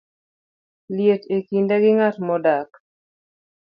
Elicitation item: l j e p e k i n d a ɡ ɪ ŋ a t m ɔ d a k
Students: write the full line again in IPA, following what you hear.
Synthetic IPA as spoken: l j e t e k i n d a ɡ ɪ ŋ a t m ɔ d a k